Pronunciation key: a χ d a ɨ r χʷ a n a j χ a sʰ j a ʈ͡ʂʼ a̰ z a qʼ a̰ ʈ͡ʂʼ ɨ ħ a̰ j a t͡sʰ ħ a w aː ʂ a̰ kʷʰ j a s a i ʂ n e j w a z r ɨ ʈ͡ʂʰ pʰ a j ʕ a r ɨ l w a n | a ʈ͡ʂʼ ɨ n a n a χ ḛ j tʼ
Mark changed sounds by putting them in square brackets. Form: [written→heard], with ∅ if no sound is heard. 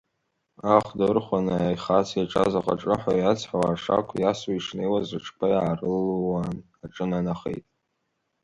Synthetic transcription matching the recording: a χ d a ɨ r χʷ a n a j χ a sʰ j a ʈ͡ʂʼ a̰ z a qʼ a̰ ʈ͡ʂʼ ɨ ħ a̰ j a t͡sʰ ħ a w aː ʂ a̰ kʷʰ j a s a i ʂ n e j w a z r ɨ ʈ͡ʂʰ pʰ a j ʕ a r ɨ l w a n | a ʈ͡ʂʼ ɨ n a n a χ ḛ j tʼ